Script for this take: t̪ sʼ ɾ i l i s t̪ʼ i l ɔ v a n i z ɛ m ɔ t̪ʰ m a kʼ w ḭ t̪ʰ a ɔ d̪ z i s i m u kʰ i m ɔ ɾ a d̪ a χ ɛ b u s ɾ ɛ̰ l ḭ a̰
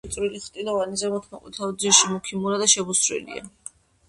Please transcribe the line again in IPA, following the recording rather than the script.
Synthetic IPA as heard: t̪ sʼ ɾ i l i χ t̪ʼ i l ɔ v a n i z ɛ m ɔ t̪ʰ m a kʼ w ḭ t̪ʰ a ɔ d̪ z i ʃ i m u kʰ i m u ɾ a d̪ a ʃ ɛ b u s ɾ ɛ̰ l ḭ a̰